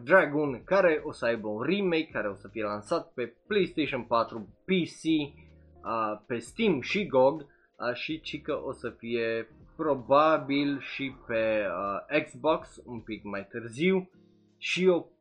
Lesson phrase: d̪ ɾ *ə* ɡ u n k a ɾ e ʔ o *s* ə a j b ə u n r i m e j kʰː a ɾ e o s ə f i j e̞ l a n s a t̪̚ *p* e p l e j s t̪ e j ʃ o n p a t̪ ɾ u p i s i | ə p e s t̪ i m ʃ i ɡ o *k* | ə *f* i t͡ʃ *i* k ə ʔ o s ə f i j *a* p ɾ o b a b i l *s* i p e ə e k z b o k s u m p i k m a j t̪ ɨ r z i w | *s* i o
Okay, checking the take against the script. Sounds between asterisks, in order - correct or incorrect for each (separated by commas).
incorrect, correct, correct, incorrect, incorrect, correct, incorrect, incorrect, incorrect